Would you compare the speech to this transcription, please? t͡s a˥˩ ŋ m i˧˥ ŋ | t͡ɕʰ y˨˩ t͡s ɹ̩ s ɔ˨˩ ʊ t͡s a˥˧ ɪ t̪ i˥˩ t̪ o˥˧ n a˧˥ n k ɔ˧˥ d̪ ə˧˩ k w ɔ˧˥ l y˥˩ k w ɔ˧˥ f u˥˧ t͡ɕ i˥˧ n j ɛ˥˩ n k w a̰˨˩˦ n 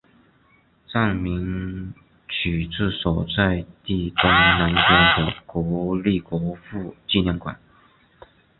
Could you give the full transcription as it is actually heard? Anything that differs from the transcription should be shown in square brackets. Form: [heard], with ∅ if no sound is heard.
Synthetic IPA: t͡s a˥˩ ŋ m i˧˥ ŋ | t͡ɕʰ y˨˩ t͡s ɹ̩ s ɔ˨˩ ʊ t͡s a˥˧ ɪ t̪ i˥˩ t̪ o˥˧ n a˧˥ n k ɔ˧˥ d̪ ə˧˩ k w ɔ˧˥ l [i˥˩] k w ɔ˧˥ f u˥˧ t͡ɕ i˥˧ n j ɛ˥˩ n k w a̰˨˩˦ n